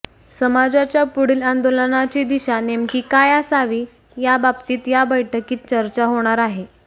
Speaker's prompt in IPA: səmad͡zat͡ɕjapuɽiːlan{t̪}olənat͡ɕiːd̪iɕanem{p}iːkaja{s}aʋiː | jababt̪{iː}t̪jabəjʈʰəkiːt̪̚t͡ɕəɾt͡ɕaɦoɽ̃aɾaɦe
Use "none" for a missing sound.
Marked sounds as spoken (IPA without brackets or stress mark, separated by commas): d̪, k, s, iː